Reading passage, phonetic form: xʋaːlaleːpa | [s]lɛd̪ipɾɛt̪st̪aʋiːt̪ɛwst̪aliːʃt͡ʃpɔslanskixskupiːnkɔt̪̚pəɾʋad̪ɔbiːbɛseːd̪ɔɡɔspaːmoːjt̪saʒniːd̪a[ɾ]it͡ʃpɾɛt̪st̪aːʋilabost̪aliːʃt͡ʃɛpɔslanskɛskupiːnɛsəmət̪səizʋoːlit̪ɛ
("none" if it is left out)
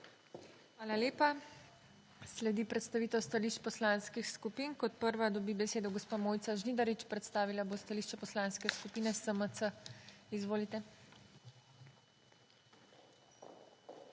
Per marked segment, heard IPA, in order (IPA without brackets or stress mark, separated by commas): s, ɾ